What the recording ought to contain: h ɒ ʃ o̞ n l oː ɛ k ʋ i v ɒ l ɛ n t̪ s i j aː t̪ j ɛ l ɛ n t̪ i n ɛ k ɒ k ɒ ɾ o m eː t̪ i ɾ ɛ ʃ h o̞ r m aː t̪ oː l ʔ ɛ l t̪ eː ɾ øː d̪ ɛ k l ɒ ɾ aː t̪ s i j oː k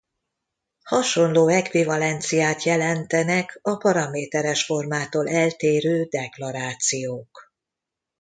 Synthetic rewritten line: h ɒ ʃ o̞ n l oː ɛ k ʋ i v ɒ l ɛ n t̪ s i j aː t̪ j ɛ l ɛ n t̪ ɛ n ɛ k ɒ p ɒ ɾ ɒ m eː t̪ ɛ ɾ ɛ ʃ f o̞ r m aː t̪ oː l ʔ ɛ l t̪ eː ɾ øː d̪ ɛ k l ɒ ɾ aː t̪ s i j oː k